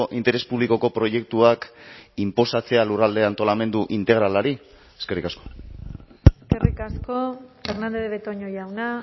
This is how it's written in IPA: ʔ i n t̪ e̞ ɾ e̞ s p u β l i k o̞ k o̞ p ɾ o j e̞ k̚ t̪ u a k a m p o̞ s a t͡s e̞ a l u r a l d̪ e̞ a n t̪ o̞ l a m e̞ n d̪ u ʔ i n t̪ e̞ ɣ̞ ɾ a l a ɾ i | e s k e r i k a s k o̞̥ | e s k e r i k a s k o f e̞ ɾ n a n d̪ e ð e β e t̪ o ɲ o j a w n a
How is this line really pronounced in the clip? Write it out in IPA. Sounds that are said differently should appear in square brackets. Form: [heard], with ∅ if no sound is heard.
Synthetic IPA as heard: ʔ i n t̪ e̞ ɾ e̞ s p u β l i k o̞ k o̞ p ɾ o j e̞ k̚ t̪ u a k [i] m p o̞ s a t͡s e̞ a l u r a l d̪ e̞ a n t̪ o̞ l a m e̞ n d̪ u ʔ i n t̪ e̞ ɣ̞ ɾ a l a ɾ i | e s k e r i k a s k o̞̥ | e s k e r i k a s k o f e̞ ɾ n a n d̪ e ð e β e t̪ o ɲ o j a w n a